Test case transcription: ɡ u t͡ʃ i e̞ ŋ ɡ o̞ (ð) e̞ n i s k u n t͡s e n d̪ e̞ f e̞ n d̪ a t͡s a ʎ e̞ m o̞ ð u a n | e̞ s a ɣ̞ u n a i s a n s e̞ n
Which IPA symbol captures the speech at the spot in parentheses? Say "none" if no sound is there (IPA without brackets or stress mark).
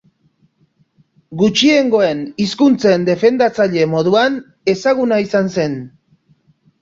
none